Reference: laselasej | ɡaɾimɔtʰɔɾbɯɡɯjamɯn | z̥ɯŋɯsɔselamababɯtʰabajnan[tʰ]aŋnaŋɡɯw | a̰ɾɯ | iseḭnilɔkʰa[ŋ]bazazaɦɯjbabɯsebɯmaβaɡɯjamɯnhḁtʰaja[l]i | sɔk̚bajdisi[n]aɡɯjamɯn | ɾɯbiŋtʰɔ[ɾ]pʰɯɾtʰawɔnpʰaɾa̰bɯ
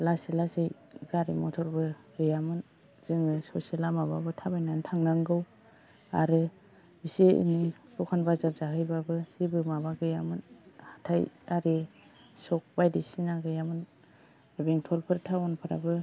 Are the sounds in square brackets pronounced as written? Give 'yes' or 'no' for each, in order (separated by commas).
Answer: yes, no, no, yes, no